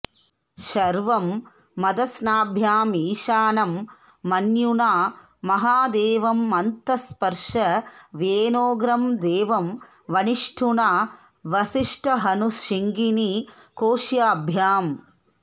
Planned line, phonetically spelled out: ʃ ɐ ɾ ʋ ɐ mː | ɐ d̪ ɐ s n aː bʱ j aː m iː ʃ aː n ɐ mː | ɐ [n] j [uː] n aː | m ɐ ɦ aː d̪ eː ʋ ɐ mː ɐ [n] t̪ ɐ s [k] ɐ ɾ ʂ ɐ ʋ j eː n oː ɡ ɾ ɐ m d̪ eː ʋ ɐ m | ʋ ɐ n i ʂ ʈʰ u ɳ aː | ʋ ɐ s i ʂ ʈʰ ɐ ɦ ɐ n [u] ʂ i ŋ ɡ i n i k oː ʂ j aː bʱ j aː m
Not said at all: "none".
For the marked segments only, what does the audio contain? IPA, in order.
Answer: n, u, n, p, u

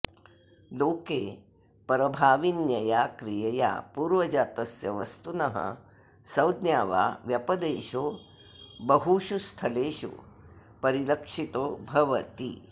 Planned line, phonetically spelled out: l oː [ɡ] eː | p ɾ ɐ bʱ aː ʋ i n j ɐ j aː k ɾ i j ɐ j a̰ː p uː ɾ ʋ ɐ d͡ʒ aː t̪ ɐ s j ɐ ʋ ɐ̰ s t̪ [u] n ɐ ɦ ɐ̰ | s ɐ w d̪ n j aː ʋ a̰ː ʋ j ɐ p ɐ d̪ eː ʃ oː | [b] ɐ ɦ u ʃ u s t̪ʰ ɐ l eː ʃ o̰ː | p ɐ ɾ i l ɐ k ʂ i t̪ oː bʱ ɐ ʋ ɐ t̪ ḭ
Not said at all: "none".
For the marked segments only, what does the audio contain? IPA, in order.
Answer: k, u, b

